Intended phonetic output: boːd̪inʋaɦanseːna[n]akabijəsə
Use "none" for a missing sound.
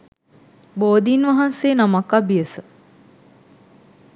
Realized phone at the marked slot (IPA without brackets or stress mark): m